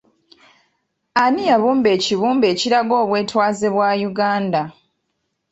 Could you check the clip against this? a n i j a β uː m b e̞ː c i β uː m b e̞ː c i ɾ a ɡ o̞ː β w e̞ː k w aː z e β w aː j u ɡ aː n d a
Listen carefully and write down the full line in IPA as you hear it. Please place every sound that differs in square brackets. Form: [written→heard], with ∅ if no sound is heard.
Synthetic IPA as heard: a n i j a β uː m b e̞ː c i β uː m b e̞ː c i ɾ a ɡ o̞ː β w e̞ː [k→t] w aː z e β w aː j u ɡ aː n d a